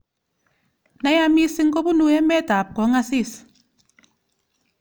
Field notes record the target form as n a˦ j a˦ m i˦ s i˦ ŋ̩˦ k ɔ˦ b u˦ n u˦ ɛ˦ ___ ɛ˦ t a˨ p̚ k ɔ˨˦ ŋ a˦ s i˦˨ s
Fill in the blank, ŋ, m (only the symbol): m